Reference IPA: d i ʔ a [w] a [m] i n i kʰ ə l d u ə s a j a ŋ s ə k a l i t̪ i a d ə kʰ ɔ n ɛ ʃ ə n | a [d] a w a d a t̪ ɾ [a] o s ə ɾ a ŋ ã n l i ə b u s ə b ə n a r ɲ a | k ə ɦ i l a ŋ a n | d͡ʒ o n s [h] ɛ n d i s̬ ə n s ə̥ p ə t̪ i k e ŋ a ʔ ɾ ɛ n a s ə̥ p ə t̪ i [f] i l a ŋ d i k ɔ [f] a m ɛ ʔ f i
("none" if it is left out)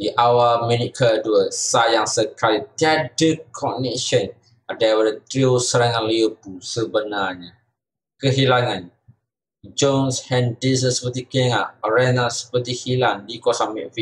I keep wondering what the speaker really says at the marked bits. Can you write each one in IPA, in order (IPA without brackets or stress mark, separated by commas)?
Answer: w, m, d, i, h, h, s